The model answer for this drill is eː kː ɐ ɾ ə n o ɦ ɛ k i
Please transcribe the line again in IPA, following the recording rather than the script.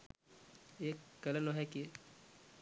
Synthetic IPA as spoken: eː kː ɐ l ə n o ɦ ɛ k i